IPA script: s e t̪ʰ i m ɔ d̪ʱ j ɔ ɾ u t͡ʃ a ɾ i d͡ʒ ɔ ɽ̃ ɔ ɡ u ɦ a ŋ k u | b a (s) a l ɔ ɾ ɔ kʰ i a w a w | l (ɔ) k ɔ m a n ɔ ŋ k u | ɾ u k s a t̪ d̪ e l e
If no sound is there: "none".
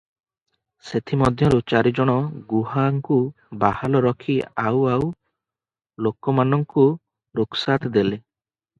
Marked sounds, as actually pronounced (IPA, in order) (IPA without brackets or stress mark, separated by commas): h, o